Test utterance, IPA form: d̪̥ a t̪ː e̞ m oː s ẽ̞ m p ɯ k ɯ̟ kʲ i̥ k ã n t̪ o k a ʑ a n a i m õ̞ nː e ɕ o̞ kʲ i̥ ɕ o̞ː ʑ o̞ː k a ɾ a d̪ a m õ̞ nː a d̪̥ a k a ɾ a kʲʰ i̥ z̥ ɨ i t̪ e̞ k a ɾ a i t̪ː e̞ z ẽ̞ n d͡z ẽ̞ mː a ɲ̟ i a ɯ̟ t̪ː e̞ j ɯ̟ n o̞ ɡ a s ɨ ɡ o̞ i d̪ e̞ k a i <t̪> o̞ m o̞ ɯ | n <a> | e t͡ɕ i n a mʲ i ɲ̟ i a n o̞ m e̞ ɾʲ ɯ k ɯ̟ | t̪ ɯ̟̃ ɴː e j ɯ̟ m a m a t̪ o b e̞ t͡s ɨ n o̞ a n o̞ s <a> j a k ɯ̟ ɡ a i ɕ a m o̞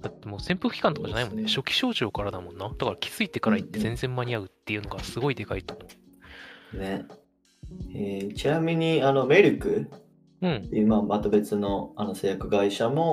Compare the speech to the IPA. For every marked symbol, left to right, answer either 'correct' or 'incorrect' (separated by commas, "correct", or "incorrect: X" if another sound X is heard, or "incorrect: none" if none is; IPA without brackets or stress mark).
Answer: correct, incorrect: e, incorrect: e